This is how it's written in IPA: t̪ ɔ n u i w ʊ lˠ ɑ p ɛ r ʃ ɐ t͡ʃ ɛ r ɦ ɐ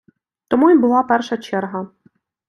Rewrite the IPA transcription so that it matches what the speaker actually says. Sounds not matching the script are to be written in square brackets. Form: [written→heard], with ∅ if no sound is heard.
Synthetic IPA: t̪ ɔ [n→m] u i [w→b] ʊ lˠ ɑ p ɛ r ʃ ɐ t͡ʃ ɛ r ɦ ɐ